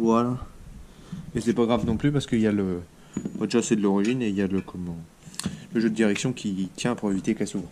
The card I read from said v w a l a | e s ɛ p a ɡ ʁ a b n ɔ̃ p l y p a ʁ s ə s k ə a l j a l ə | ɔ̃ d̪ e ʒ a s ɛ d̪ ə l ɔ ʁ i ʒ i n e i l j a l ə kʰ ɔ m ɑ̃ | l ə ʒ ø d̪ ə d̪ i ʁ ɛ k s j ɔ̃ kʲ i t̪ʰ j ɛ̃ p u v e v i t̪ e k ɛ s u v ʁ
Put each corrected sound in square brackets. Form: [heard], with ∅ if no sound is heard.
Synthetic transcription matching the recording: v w a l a | e s ɛ p a ɡ ʁ a [v] n ɔ̃ p l y p a ʁ s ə [∅] k ə [i] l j a l ə | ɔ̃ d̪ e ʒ a s ɛ d̪ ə l ɔ ʁ i ʒ i n e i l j a l ə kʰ ɔ m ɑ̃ | l ə ʒ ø d̪ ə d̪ i ʁ ɛ k s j ɔ̃ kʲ i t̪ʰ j ɛ̃ p u [ʁ] e v i t̪ e k ɛ s u v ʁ